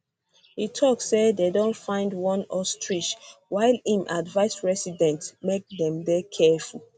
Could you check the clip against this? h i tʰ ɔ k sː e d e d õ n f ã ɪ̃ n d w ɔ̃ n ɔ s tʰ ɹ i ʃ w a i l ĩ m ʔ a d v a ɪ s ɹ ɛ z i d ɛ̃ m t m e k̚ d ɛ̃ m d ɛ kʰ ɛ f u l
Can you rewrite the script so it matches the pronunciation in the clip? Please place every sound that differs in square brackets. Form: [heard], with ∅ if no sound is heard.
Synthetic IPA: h i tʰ ɔ k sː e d e d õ n f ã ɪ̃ n d w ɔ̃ n ɔ s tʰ ɹ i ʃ w a [ɪ] l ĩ m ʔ a d v a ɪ s ɹ ɛ [s] i d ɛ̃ [n] t m e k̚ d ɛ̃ m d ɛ kʰ ɛ f u l

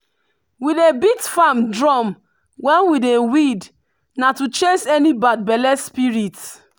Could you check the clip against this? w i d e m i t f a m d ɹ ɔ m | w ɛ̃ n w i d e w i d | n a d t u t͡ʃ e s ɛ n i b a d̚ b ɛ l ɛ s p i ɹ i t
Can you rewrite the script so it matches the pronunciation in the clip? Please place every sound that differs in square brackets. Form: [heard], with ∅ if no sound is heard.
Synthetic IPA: w i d e [b] i t f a m d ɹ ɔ m | w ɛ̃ n w i d e w i d | n a [∅] t u t͡ʃ e s ɛ n i b a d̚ b ɛ l ɛ s p i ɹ i t

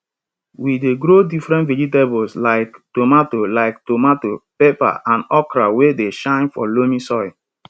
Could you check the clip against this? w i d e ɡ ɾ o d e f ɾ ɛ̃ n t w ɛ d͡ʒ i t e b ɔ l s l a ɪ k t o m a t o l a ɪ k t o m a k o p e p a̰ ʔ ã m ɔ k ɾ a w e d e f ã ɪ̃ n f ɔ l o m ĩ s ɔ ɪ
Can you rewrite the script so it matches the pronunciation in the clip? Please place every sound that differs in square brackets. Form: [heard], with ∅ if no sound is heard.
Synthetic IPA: w i d e ɡ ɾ o d [i] f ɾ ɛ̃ n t [v] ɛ d͡ʒ i t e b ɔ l s l a ɪ k t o m a t o l a ɪ k t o m a [t] o p e p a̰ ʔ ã [n] ɔ k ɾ a w e d e [ʃ] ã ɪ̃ n f ɔ l o m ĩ s ɔ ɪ

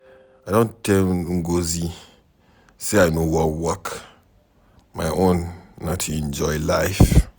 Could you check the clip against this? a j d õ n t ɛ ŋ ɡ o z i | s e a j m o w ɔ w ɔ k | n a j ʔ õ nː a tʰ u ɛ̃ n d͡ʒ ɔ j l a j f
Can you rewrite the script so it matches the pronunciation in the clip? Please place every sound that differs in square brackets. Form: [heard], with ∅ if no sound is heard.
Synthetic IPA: a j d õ n t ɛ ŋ ɡ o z i | s e a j [n] o w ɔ w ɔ k | [m] a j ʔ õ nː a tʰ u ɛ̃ n d͡ʒ ɔ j l a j f

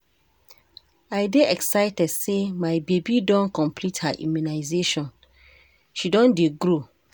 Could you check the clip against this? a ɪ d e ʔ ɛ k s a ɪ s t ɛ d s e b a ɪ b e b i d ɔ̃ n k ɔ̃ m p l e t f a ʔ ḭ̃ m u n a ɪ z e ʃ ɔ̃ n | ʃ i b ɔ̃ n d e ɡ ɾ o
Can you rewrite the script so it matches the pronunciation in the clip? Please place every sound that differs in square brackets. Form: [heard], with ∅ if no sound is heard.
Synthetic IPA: a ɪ d e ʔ ɛ k s a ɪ [∅] t ɛ d s e [m] a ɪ b e b i d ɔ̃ n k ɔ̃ m p l [i] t [h] a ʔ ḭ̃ m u n a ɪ z e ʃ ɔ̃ n | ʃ i [d] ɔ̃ n d e ɡ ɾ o

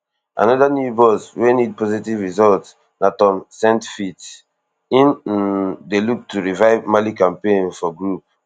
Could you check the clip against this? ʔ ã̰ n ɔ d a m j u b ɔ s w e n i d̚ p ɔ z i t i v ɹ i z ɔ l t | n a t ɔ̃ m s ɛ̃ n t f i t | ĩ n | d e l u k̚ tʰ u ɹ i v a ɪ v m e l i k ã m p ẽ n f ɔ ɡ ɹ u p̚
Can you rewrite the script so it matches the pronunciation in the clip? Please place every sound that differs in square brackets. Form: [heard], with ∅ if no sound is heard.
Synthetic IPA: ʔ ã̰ n ɔ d a [n] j u b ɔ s w e n i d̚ p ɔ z i t i v ɹ i z ɔ l t | n a t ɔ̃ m s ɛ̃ n t f i t | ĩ n | d e l u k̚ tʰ u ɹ i v a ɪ v m [a] l i k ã m p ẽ n f ɔ ɡ ɹ u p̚

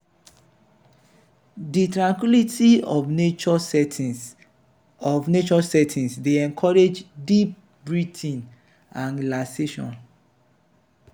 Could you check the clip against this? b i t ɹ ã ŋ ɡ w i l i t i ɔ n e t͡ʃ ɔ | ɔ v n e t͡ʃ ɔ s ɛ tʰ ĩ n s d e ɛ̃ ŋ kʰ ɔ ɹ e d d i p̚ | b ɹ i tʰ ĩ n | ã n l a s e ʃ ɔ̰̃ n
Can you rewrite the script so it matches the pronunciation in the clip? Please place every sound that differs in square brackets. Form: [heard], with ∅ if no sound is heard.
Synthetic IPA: [d] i t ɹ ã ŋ [k] w i l i t i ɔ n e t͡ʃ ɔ | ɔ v n e t͡ʃ ɔ s ɛ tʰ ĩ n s d e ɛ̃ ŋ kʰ ɔ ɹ e [d͡ʒ] d i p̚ | b ɹ i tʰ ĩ n | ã n l a s e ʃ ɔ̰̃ n

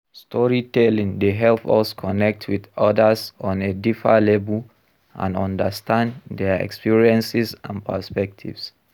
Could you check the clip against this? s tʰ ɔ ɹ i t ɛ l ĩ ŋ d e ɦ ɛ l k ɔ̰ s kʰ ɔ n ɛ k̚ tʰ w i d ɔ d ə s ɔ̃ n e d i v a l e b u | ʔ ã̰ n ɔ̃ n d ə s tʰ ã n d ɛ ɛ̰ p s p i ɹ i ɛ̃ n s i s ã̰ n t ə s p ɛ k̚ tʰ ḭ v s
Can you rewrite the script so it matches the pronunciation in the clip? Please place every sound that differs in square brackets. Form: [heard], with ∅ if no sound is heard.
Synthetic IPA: s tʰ ɔ ɹ i t ɛ l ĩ ŋ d e ɦ ɛ l [p] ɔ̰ s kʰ ɔ n ɛ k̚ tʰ w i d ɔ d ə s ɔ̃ n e d i [f] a l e b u | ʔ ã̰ n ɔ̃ n d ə s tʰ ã n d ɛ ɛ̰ [k] s p i ɹ i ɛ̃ n s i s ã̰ n [p] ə s p ɛ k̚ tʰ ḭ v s

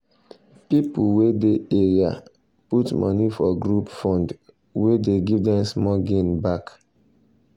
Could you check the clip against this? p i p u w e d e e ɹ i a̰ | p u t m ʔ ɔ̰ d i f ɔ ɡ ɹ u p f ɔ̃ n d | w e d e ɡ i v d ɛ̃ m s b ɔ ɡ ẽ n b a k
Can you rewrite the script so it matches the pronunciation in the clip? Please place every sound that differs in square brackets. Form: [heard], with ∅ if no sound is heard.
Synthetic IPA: p i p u w e d e e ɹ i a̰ | p u t m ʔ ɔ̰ [n] i f ɔ ɡ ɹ u p f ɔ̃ n d | w e d e ɡ i v d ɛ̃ m s [m] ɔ ɡ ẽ n b a k

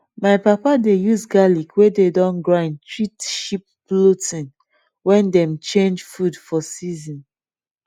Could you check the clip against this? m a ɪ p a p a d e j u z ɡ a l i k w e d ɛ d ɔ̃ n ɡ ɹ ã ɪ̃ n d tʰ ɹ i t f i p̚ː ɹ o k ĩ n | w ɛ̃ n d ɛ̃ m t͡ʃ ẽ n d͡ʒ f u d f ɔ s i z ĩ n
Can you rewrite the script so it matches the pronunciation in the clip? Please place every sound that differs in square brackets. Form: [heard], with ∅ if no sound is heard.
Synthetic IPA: m a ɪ p a p a d e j u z ɡ a l i k w e d [e] d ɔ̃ n ɡ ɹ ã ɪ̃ n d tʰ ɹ i t [ʃ] i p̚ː [l] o [t] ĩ n | w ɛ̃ n d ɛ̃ m t͡ʃ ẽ n d͡ʒ f u d f ɔ s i z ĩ n

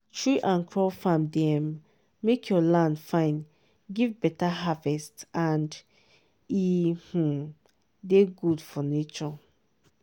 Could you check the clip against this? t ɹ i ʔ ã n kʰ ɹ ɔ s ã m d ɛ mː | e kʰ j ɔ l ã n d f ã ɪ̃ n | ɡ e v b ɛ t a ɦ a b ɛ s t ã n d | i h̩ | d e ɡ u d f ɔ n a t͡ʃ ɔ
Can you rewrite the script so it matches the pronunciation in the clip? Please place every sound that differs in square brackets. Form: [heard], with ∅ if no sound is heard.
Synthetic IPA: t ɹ i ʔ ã n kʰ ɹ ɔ [f] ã m d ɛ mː | e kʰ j ɔ l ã n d f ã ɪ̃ n | ɡ [i] v b ɛ t a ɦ a [v] ɛ s t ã n d | i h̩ | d e ɡ u d f ɔ n [e] t͡ʃ ɔ

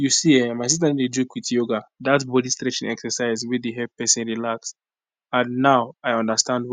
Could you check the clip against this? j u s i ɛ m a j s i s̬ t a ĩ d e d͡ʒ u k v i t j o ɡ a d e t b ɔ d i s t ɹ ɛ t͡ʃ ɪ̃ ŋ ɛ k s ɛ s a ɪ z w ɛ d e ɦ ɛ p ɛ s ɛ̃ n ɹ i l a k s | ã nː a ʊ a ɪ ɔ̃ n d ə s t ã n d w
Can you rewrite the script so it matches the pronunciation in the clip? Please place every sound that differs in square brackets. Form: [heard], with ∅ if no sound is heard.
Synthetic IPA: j u s i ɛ m a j s i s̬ t a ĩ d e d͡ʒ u k [w] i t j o ɡ a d [a] t b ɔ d i s t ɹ ɛ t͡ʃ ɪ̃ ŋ ɛ k s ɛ s a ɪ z w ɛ d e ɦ ɛ p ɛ s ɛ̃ n ɹ i l a k s | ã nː a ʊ a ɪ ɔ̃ n d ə s t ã n d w

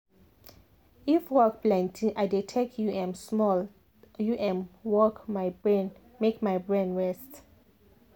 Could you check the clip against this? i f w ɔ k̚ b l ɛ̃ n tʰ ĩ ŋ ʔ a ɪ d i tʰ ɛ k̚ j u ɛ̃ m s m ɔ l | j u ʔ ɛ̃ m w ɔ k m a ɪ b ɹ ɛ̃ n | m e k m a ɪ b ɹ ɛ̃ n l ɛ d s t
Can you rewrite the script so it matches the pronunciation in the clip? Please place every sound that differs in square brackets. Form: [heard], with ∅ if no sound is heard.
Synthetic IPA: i f w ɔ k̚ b l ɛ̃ n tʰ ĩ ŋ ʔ a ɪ d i tʰ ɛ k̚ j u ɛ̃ m s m ɔ l | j u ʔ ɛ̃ m w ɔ k m a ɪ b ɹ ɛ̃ n | m e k m a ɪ b ɹ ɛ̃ n [ɹ] ɛ [∅] s t

